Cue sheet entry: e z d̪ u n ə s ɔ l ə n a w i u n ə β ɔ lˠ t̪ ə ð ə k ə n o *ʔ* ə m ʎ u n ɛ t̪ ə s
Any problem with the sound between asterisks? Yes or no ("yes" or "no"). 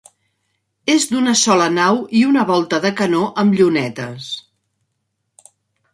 no